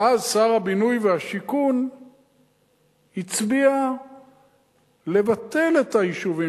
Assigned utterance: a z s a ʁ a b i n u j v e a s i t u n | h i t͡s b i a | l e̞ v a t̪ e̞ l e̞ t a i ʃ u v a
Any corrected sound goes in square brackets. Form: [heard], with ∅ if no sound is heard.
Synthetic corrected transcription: a z s a ʁ a b i n u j v e a [ʃ] i [k] u n | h i t͡s b i a | l e̞ v a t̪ e̞ l e̞ t a i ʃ u v [i]